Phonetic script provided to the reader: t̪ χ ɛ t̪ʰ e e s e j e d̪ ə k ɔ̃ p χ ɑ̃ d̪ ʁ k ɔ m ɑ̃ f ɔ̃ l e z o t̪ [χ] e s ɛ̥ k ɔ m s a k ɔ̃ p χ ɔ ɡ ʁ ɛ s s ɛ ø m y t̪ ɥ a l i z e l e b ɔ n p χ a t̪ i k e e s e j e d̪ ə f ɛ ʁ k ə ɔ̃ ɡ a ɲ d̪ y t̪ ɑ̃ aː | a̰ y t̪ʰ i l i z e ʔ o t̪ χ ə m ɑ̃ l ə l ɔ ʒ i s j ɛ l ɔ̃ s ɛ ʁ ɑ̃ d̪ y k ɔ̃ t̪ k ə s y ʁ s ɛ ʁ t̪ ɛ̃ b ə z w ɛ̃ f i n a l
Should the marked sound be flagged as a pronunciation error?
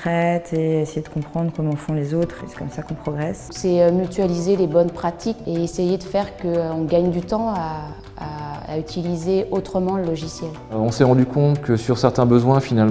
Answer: no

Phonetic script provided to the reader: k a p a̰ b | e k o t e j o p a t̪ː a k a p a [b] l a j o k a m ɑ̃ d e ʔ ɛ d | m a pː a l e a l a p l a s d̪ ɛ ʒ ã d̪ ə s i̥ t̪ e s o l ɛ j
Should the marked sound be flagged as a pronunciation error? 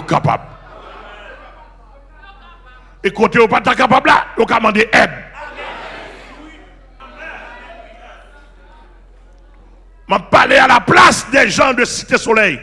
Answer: no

